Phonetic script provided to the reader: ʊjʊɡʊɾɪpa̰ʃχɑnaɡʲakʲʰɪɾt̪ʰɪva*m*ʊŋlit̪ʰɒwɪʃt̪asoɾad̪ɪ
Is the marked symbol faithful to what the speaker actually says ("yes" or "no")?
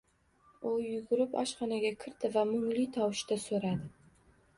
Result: yes